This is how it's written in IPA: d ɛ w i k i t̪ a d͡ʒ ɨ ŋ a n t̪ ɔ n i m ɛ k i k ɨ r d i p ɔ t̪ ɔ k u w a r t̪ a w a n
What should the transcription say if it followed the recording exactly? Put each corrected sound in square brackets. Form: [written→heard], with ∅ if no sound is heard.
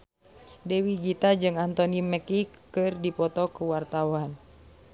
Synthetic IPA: d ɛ w i [k→ɡ] i t̪ a d͡ʒ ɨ ŋ a n t̪ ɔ n i m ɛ k i k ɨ r d i p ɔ t̪ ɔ k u w a r t̪ a w a n